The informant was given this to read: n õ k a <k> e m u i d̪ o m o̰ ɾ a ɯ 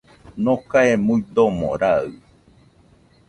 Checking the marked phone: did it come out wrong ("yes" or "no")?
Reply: yes